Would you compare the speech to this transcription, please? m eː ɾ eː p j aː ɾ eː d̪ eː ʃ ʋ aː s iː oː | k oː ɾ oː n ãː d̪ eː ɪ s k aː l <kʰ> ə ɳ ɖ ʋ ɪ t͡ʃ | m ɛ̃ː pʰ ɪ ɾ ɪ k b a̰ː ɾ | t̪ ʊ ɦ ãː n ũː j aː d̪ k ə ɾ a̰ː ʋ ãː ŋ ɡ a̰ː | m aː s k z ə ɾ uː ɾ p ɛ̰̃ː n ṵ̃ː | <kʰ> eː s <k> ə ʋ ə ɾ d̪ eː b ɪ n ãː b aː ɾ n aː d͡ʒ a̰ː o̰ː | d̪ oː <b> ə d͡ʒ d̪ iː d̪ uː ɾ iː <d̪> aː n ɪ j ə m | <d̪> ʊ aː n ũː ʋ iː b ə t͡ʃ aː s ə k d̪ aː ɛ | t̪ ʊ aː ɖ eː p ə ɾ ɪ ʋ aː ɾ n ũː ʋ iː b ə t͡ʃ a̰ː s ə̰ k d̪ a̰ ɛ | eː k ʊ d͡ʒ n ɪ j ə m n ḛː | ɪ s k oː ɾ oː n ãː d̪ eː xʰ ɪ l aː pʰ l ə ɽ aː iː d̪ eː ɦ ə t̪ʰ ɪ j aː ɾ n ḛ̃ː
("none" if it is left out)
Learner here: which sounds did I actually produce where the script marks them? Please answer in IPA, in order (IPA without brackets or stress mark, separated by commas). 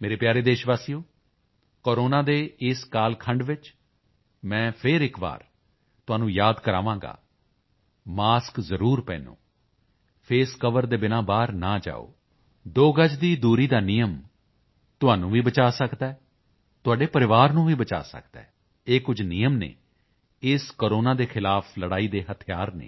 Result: kʰ, pʰ, k, ɡ, d̪, t̪